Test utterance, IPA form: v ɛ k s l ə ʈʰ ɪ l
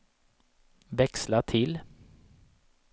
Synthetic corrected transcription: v ɛ k s l a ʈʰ ɪ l